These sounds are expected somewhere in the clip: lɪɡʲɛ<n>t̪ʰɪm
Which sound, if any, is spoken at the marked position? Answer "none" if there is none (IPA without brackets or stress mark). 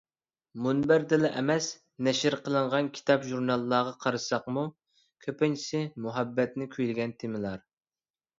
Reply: n